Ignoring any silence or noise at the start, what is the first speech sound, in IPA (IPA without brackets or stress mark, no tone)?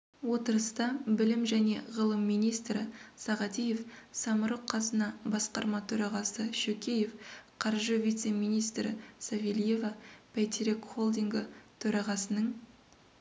w